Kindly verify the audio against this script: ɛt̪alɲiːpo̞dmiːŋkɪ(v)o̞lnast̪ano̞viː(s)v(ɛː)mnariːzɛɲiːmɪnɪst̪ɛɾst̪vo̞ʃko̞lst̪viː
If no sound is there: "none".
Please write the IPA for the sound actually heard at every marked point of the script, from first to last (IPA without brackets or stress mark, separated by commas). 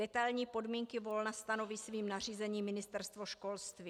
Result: v, s, iː